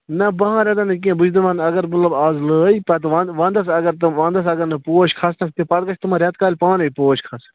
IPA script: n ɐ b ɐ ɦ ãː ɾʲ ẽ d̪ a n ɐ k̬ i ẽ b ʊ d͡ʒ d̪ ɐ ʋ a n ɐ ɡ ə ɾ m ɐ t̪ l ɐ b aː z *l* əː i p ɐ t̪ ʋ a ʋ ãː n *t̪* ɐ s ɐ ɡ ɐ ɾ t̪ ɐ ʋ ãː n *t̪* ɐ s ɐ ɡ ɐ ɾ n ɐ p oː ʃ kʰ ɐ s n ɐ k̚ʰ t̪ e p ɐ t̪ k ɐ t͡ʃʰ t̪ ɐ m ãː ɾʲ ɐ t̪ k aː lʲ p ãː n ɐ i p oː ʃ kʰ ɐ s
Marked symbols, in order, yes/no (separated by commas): yes, no, no